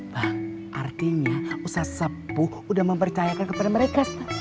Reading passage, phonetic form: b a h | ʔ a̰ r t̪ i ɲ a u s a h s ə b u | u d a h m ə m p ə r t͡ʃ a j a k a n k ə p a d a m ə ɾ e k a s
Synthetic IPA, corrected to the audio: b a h | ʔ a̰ r t̪ i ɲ a u s a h s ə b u | u d a h m ə m p ə r t͡ʃ a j a k a n k ə p a d a m ə ɾ e k a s